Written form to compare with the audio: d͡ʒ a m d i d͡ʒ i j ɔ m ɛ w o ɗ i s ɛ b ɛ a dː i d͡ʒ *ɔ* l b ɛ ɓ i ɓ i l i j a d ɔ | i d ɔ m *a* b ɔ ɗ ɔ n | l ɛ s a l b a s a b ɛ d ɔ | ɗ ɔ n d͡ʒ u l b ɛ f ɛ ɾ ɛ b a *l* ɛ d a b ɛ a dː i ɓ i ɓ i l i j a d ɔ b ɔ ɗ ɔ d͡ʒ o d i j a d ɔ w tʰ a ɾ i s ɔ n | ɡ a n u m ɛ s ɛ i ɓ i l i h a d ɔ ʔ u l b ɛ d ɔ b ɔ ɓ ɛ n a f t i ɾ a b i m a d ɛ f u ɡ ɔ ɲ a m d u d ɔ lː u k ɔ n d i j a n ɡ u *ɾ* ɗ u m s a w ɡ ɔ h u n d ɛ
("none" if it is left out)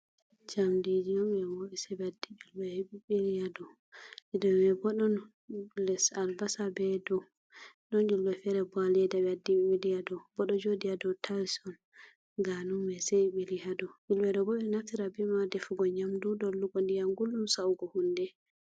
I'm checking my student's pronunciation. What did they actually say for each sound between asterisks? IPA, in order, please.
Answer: u, ɛ, l, l

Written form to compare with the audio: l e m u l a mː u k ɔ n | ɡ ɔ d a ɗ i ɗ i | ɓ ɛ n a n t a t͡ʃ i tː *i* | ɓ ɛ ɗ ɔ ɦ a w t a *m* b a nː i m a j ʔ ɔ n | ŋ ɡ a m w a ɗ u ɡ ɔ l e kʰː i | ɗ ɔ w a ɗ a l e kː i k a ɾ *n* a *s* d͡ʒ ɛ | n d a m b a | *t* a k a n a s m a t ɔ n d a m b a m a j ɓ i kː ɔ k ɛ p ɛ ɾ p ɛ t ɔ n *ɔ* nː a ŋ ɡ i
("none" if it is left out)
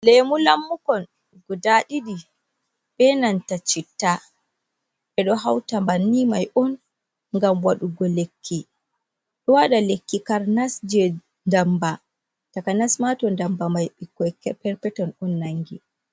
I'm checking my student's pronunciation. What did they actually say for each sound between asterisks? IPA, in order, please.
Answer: a, m, n, s, t, ɔ

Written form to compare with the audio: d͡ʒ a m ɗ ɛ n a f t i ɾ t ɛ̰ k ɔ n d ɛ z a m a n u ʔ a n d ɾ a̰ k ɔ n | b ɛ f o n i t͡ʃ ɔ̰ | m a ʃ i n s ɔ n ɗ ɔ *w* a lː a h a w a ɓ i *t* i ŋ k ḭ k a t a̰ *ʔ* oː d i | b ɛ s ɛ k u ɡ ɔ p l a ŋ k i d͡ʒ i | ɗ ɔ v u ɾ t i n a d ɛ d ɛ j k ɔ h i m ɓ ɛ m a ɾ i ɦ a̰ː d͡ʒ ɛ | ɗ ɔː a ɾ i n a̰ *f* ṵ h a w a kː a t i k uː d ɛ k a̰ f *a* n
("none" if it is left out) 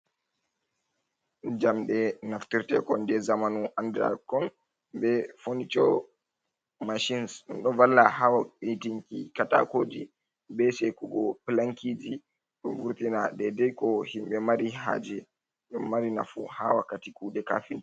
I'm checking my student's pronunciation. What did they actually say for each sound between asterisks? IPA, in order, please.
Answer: v, t, k, f, i

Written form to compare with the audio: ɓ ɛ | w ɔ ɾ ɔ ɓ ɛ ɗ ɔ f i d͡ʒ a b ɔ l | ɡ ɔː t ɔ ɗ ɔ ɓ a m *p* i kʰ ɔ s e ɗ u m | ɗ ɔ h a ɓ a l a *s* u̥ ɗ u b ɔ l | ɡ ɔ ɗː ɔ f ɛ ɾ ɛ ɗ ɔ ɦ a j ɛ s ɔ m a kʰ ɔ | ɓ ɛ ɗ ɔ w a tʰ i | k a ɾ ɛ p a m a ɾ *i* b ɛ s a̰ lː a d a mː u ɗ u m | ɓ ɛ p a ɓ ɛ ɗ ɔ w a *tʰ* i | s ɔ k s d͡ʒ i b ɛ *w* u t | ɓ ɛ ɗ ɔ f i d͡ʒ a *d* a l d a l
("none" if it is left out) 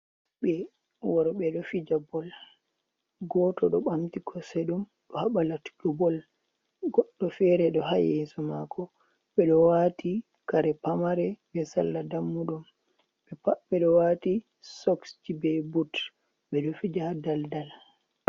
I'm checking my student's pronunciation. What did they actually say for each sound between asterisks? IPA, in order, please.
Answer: t, t, ɛ, t, b, d

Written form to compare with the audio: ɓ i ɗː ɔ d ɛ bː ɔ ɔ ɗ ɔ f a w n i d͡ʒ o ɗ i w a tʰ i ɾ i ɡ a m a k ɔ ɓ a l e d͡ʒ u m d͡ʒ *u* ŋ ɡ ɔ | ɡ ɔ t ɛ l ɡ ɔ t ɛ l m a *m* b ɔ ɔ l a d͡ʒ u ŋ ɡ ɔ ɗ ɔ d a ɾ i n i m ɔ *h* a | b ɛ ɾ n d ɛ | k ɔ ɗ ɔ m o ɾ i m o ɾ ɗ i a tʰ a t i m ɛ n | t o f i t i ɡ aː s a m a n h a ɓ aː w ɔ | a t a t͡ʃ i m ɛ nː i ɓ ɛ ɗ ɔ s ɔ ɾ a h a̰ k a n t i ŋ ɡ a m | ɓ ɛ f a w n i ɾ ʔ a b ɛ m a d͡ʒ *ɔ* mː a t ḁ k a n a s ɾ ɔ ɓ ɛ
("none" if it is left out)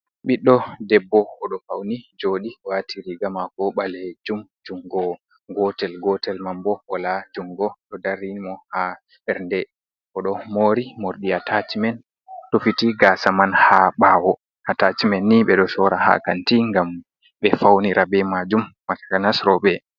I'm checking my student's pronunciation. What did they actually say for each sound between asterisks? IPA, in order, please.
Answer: u, m, h, u

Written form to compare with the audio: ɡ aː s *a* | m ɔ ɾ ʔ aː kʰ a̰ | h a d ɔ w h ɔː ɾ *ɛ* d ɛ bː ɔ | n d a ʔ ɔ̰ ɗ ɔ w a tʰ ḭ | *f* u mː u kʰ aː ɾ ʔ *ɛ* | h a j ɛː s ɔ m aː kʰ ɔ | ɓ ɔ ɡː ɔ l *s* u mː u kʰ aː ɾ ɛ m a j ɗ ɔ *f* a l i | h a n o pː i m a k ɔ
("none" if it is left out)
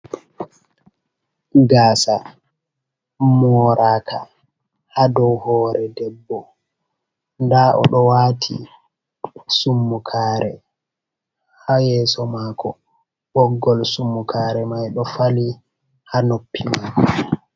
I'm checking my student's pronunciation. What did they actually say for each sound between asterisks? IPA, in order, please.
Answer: a, ɛ, s, ɛ, s, f

